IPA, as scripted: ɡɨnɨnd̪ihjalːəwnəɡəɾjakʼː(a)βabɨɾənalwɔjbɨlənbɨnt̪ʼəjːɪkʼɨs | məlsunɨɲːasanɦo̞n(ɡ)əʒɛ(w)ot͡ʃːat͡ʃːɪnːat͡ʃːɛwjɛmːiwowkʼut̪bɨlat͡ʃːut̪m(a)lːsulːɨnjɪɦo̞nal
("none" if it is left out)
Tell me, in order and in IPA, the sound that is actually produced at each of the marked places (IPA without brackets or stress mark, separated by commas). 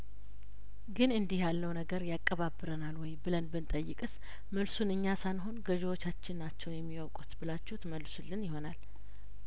ə, ɡ, w, ə